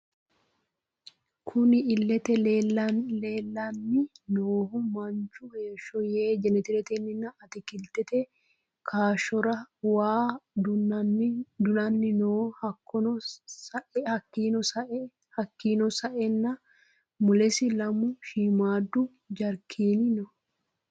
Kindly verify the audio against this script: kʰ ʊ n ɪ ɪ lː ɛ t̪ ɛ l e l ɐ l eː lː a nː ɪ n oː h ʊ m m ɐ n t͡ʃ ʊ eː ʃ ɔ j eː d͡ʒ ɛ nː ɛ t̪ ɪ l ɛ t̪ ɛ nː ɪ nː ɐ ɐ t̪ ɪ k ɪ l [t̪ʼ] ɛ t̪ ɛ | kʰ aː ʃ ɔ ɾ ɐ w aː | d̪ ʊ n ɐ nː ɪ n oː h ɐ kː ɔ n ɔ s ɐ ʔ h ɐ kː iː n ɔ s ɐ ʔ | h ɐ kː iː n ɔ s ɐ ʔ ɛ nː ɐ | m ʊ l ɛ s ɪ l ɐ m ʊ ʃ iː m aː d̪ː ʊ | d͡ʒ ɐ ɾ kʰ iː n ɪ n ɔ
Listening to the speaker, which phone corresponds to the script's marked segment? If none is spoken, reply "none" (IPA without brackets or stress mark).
t̪